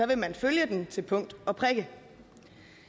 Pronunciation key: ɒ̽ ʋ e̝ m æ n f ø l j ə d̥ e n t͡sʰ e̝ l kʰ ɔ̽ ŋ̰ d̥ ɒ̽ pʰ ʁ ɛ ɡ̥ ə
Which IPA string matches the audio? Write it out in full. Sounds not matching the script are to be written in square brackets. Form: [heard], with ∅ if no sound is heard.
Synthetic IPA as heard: ɒ̽ ʋ e̝ m æ n f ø l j ə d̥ e n t͡sʰ e̝ l [pʰ] ɔ̽ ŋ̰ d̥ ɒ̽ pʰ ʁ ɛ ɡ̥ ə